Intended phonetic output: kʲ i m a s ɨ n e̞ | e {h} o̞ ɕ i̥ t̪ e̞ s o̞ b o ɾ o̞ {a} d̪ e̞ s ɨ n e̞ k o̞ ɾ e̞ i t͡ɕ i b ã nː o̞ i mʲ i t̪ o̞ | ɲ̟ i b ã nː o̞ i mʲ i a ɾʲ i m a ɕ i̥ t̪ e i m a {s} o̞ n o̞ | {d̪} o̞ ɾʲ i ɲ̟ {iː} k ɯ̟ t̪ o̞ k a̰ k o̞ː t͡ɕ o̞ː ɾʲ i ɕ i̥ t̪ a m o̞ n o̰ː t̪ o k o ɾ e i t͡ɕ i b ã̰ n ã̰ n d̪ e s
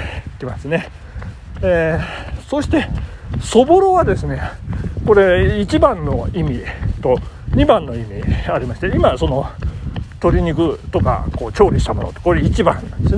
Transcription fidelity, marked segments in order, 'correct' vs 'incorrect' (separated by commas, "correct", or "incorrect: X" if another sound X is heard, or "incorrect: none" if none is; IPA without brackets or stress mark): incorrect: s, correct, correct, incorrect: t̪, incorrect: i